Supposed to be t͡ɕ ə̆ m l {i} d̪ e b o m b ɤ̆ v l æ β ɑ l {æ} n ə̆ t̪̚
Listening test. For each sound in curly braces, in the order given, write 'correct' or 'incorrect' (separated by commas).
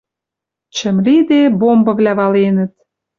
correct, incorrect